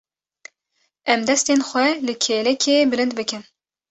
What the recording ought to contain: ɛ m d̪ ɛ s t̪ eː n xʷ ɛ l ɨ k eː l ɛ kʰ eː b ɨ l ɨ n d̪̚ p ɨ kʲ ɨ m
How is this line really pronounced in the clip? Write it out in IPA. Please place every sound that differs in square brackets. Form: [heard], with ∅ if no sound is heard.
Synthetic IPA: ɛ m d̪ ɛ s t̪ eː n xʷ ɛ l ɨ [kʰ] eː l ɛ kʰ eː b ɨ l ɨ n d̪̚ [b] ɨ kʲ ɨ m